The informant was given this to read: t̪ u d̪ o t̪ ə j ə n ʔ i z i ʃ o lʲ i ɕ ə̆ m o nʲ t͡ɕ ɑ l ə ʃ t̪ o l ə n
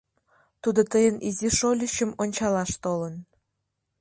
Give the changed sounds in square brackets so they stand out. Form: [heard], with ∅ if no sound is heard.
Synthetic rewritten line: t̪ u d̪ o t̪ ə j ə n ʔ i z i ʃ o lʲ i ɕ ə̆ m o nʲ t͡ɕ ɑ l [ɑ] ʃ t̪ o l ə n